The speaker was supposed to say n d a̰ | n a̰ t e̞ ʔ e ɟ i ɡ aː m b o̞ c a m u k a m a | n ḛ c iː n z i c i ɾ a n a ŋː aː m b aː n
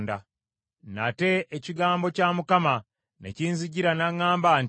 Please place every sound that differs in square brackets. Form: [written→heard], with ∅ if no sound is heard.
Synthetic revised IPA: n d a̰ | n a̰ t e̞ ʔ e [ɟ→c] i ɡ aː m b o̞ c a m u k a m a | n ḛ c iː n z i [c→ɟ] i ɾ a n a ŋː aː m b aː n

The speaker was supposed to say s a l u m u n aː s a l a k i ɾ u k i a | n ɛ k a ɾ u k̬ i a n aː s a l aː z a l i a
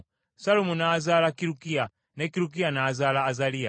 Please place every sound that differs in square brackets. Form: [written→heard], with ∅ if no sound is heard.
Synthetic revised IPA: s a l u m u n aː [s→z] a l a k i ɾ u k i a | n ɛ k [a→i] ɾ u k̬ i a n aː [s→z] a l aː z a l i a

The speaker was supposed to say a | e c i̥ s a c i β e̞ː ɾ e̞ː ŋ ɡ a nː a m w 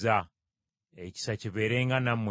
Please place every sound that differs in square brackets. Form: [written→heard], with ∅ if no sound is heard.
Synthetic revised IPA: a | e c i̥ s a c i β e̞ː ɾ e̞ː ŋ ɡ a [nː→n] a m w

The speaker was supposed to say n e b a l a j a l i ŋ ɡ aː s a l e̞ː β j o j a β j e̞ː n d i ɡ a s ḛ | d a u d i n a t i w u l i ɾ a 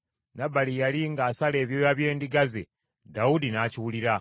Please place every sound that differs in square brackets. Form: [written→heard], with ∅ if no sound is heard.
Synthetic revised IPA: n [e→a] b a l [a→i] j a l i ŋ ɡ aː s a l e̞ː β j o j a β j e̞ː n d i ɡ a [s→z] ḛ | d a u d i n a [t→c] i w u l i ɾ a

